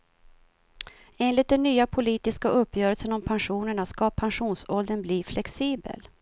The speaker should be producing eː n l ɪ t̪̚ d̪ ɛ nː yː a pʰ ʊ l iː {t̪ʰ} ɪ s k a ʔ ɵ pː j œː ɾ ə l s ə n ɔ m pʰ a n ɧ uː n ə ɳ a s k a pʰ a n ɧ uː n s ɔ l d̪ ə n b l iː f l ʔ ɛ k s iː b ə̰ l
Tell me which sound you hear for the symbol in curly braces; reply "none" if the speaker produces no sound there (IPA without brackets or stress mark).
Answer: t̪